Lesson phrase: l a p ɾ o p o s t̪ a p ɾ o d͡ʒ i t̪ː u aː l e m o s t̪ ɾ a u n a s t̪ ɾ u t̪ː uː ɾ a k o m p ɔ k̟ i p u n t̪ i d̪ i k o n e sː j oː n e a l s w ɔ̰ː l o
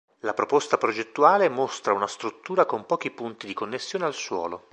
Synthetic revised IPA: l a p ɾ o p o s t̪ a p ɾ o d͡ʒ e t̪ː u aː l e m o s t̪ ɾ a u n a s t̪ ɾ u t̪ː uː ɾ a k o m p ɔː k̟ i p u n t̪ i d̪ i k o nː e sː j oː n e a l s w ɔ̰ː l o